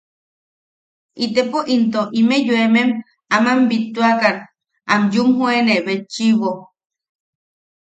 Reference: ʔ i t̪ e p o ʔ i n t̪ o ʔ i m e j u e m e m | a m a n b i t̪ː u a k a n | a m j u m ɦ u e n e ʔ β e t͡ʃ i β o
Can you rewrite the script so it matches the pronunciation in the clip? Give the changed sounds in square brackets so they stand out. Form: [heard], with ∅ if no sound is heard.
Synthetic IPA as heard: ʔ i t̪ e p o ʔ i n t̪ o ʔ i m e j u e m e m | a m a [m] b i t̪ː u a k a n | a m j u m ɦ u e n e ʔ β e t͡ʃ i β o